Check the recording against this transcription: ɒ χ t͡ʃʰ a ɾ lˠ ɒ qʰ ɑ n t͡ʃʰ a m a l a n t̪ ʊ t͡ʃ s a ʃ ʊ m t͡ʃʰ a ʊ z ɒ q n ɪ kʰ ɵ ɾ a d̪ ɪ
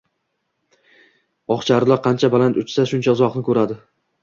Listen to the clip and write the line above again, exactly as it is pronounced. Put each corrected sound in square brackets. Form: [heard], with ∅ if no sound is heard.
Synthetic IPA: ɒ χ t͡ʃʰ a ɾ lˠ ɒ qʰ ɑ n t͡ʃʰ a [b] a l a n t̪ ʊ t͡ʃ s a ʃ ʊ [n] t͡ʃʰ a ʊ z ɒ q n ɪ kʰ ɵ ɾ a d̪ ɪ

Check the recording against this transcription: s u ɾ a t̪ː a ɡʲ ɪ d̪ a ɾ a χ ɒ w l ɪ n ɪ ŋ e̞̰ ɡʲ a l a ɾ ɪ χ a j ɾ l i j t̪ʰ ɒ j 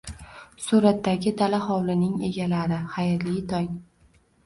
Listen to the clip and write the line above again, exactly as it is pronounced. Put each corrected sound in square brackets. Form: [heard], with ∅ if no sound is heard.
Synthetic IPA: s u ɾ a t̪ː a ɡʲ ɪ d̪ a [l] a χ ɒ w l ɪ n ɪ ŋ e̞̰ ɡʲ a l a ɾ ɪ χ a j ɾ l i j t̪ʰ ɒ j

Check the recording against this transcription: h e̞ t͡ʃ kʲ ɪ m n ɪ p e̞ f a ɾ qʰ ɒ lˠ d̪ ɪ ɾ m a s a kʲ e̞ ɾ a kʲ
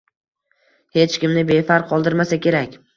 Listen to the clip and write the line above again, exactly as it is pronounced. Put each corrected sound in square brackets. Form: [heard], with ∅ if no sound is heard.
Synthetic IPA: h e̞ t͡ʃ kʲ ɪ m n ɪ [b] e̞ f a ɾ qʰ ɒ lˠ d̪ ɪ ɾ m a s a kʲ e̞ ɾ a kʲ

